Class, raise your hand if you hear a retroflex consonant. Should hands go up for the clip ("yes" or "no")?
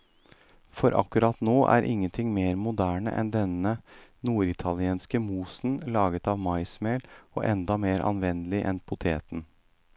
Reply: yes